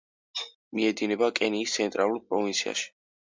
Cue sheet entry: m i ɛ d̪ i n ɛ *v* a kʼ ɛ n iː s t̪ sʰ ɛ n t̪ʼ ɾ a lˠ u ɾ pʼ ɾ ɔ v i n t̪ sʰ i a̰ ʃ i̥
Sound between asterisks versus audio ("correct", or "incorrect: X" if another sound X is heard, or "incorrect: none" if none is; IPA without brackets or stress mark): incorrect: b